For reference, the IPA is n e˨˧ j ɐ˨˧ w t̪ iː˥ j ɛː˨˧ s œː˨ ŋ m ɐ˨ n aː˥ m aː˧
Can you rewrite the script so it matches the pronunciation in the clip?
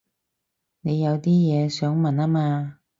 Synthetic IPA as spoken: n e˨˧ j ɐ˨˧ w t̪ iː˥ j ɛː˨˧ s œː˨˥ ŋ m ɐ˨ n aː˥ m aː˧